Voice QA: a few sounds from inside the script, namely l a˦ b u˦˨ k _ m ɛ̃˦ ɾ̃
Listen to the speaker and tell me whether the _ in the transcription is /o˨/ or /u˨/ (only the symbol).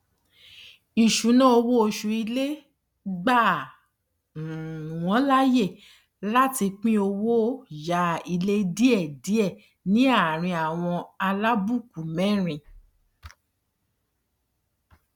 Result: u˨